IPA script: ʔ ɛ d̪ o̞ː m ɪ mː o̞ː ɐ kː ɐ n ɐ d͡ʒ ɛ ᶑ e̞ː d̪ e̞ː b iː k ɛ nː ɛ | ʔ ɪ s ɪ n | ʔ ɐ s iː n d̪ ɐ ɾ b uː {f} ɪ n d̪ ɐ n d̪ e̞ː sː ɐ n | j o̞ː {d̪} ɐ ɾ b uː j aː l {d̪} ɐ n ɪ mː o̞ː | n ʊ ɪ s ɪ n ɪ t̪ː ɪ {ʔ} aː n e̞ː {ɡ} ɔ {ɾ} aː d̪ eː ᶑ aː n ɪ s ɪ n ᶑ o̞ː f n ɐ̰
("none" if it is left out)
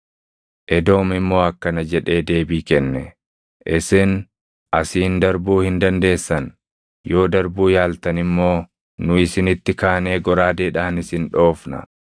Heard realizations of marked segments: h, d̪, t̪, k, ɡ, ɾ

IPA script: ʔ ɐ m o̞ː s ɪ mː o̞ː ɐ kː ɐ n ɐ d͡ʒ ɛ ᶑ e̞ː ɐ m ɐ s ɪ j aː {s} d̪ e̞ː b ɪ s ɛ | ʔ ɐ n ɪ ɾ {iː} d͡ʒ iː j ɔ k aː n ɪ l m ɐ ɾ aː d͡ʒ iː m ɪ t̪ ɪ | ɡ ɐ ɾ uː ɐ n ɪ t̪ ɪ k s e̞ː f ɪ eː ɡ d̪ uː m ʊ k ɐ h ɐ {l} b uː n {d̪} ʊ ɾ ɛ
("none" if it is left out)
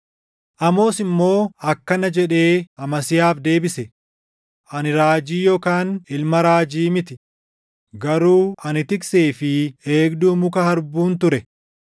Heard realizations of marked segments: f, aː, ɾ, t̪

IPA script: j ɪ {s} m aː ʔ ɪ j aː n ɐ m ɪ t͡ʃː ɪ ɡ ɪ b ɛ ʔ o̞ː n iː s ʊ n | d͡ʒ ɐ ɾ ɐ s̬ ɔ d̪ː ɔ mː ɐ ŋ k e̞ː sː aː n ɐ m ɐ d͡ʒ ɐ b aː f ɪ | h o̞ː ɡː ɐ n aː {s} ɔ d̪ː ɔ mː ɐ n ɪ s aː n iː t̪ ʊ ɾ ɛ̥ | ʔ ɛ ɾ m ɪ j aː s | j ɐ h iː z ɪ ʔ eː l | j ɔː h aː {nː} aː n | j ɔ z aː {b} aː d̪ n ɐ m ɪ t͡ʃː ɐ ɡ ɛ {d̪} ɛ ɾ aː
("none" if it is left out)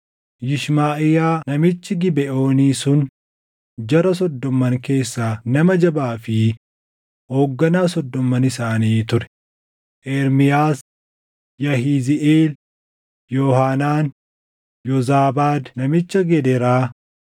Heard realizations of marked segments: ʃ, s, n, b, d̪

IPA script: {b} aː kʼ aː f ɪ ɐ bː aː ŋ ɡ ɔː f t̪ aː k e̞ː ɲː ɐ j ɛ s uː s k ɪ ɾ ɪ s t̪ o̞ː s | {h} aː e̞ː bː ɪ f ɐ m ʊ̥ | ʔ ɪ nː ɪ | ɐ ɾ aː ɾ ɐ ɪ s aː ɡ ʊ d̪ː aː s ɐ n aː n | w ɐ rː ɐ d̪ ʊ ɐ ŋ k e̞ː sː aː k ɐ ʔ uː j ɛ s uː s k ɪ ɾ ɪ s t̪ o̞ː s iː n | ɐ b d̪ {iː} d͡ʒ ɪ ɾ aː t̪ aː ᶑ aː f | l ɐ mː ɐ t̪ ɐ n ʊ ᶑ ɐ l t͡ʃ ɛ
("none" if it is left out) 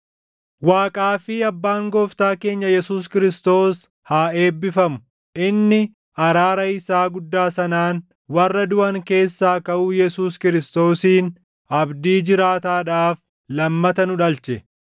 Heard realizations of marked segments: w, h, iː

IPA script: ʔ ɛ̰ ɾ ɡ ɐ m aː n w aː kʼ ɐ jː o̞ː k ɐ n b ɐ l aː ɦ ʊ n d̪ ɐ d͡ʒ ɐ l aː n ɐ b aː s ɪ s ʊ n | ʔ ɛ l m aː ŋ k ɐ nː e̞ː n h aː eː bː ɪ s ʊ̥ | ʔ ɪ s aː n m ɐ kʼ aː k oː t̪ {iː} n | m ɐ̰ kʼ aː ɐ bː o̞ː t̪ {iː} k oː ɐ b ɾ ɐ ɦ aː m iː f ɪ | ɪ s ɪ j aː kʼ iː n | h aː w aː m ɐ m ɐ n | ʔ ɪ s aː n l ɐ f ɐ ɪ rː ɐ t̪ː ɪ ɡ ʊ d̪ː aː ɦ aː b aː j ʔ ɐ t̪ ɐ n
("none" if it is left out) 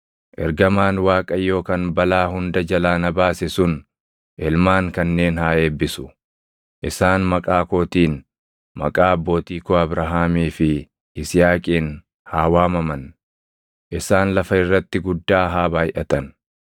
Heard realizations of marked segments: iː, iː

